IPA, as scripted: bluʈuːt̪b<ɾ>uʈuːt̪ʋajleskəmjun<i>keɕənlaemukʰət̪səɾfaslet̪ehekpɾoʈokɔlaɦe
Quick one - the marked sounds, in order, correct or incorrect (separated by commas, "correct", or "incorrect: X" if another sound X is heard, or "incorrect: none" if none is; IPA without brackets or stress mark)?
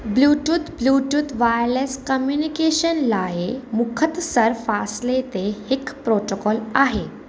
incorrect: l, correct